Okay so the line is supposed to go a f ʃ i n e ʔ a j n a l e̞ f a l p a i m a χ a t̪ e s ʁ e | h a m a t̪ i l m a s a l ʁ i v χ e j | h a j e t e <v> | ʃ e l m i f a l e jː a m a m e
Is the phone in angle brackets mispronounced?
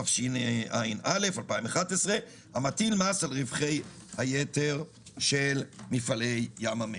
yes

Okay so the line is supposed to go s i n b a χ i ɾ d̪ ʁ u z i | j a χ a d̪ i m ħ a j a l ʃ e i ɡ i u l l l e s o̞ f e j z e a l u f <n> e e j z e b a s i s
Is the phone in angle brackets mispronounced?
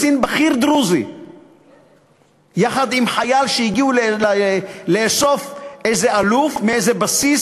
yes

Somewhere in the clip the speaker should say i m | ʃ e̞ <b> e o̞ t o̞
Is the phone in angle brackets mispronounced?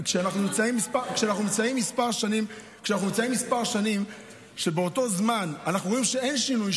no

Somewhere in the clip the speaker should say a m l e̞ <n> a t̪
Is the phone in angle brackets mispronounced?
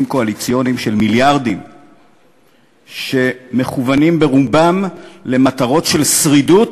yes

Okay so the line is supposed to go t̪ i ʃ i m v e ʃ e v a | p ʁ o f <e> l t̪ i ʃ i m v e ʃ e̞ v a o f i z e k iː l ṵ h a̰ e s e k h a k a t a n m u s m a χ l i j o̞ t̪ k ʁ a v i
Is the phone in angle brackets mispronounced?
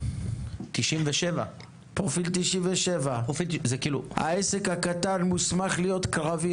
yes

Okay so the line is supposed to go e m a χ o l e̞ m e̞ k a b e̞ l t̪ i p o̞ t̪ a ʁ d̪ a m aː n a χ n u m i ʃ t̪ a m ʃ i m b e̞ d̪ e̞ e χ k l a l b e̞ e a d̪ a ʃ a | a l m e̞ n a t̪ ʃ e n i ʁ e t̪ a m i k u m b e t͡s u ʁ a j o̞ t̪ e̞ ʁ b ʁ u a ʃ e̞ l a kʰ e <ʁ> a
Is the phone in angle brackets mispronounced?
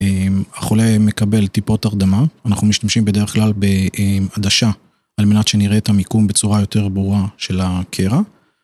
no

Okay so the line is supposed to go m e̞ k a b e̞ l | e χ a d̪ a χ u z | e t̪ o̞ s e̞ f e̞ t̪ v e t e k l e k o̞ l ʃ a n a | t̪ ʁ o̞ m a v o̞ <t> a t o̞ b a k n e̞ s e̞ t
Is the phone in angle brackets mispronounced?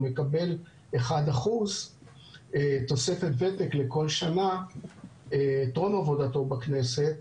yes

